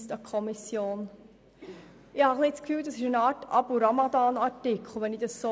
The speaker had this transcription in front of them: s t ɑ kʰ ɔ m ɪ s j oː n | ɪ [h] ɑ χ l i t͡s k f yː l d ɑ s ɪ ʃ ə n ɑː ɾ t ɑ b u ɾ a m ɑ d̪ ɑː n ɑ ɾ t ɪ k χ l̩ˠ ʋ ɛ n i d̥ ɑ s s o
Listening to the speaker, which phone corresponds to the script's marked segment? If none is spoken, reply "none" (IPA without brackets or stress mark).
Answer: h